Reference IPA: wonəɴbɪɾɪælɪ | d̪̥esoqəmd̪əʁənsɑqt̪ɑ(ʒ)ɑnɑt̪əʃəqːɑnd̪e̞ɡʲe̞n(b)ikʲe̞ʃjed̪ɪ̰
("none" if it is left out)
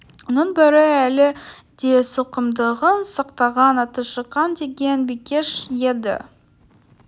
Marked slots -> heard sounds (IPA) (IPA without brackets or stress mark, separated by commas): ʁ, b